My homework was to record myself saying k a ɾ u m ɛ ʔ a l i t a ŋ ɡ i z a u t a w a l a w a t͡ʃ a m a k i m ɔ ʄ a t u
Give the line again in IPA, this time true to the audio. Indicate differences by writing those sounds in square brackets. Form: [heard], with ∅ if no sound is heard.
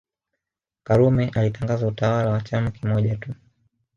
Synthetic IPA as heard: k a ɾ u m ɛ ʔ a l i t a ŋ ɡ [a] z a u t a w a l a w a t͡ʃ a m a k i m ɔ ʄ a t u

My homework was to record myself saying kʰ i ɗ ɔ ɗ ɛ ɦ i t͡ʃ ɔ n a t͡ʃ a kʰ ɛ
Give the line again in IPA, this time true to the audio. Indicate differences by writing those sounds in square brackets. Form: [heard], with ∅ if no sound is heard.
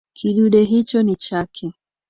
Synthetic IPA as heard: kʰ i ɗ [u] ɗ ɛ ɦ i t͡ʃ ɔ n [i] t͡ʃ a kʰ ɛ

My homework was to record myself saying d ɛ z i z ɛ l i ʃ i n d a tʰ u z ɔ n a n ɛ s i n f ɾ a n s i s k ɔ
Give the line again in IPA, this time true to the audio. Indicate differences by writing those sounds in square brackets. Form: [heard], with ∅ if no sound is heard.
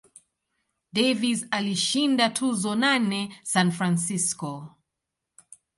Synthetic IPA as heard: d ɛ [v] i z [a] l i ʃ i n d a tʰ u z ɔ n a n ɛ s [a] n f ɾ a n s i s k ɔ

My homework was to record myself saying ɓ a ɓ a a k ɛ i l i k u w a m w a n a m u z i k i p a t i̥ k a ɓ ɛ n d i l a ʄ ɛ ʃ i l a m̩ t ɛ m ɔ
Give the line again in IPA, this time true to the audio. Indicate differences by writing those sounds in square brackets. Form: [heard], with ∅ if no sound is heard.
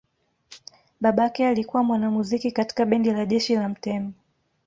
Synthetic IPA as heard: ɓ a ɓ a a k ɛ [a] l i k u w a m w a n a m u z i k i [k] a t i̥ k a ɓ ɛ n d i l a ʄ ɛ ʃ i l a m̩ t ɛ m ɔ

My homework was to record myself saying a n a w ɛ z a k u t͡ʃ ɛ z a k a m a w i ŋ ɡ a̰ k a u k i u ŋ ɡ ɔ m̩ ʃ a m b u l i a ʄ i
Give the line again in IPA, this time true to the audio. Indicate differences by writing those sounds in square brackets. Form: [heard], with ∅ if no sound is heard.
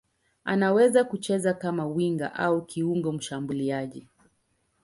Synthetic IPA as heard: a n a w ɛ z a k u t͡ʃ ɛ z a k a m a w i ŋ ɡ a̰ [ʔ] a u k i u ŋ ɡ ɔ m̩ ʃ a m b u l i a ʄ i

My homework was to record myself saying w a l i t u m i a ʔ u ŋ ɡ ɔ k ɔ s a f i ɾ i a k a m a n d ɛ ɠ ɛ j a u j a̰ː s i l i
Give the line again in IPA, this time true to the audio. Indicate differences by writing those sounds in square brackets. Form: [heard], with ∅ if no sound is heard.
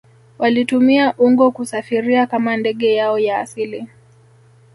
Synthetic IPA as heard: w a l i t u m i a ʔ u ŋ ɡ ɔ k [u] s a f i ɾ i a k a m a n d ɛ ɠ ɛ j a [ɔ] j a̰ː s i l i

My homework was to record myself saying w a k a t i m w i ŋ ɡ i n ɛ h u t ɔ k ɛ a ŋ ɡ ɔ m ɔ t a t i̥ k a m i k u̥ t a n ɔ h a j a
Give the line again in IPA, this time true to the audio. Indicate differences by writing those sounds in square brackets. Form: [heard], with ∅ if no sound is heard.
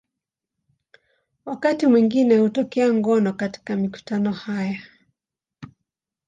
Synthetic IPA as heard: w a k a t i m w i ŋ ɡ i n ɛ h u t ɔ k ɛ a ŋ ɡ ɔ [n] ɔ [k] a t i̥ k a m i k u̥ t a n ɔ h a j a

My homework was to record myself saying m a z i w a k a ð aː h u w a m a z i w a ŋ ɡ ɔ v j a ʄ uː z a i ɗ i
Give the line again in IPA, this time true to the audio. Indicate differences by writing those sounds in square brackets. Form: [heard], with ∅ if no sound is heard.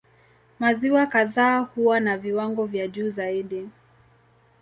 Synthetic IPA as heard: m a z i w a k a ð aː h u w a [n] a [v] i w a ŋ ɡ ɔ v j a ʄ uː z a i ɗ i

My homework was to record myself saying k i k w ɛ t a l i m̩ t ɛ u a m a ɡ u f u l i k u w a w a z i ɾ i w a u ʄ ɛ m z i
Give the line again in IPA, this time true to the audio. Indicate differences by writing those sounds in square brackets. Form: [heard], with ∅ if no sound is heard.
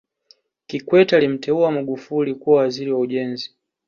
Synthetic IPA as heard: k i k w ɛ t a l i m̩ t ɛ u a m a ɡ u f u l i k u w a w a z i ɾ i w a u ʄ ɛ [n] z i

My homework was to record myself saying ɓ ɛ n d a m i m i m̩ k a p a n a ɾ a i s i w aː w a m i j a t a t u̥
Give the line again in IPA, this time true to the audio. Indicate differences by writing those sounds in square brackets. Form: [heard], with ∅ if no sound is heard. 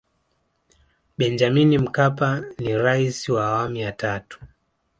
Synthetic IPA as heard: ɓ ɛ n [d͡ʒ] a m i [n] i m̩ k a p a n [i] ɾ a i s i w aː w a m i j a t a t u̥

